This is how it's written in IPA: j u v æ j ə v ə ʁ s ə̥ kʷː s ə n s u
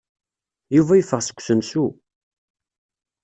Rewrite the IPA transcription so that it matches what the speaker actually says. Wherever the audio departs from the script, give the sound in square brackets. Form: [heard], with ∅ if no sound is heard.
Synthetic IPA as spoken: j u v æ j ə [f] ə ʁ s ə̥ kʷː s ə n s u